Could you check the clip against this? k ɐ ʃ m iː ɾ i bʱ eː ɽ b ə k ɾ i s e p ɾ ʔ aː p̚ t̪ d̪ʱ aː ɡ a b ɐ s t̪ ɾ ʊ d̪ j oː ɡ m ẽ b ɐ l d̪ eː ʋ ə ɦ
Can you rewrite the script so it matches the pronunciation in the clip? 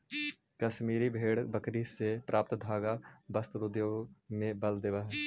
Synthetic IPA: k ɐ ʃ m iː ɾ i bʱ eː ɽ b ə k ɾ i s e p ɾ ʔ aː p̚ t̪ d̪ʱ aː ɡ a b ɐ s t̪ ɾ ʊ d̪ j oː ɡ m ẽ b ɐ l d̪ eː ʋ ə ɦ